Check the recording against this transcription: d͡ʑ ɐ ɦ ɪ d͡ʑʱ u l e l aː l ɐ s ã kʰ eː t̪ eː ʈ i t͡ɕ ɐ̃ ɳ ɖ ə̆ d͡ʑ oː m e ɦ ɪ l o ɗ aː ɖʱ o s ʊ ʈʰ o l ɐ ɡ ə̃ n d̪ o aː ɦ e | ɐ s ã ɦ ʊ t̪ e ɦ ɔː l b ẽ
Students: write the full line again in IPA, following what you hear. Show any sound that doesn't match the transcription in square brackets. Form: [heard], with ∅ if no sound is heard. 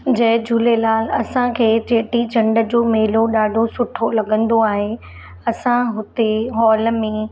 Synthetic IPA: d͡ʑ ɐ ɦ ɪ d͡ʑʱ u l e l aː l ɐ s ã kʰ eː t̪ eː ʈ i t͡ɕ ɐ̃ ɳ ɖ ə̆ d͡ʑ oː m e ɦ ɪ l o ɗ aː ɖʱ o s ʊ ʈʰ o l ɐ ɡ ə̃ n d̪ o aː ɦ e | ɐ s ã ɦ ʊ t̪ e ɦ ɔː l [m] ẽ